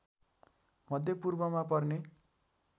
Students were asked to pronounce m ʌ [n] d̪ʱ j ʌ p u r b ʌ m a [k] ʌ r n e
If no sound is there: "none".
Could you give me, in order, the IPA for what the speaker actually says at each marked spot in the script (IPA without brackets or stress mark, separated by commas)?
none, p